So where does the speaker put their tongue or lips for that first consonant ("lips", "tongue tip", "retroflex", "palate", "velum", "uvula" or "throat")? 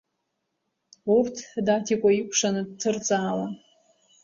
tongue tip